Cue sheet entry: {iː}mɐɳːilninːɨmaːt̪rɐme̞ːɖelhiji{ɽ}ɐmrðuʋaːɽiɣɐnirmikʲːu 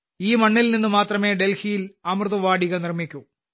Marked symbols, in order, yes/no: yes, no

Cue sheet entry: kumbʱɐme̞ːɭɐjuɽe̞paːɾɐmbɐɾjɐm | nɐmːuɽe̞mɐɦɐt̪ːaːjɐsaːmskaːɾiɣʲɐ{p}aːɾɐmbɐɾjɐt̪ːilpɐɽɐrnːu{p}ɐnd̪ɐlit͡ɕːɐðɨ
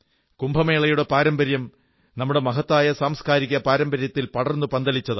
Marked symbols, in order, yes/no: yes, yes

